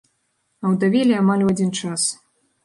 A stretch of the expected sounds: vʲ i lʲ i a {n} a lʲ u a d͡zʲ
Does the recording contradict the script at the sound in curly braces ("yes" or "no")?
yes